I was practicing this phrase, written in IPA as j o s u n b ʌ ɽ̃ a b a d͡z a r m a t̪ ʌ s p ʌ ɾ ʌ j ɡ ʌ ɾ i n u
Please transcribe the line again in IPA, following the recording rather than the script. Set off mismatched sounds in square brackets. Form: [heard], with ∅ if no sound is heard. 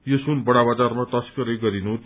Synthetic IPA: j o s u n b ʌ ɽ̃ a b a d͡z a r m a t̪ ʌ s [k] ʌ ɾ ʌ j ɡ ʌ ɾ i n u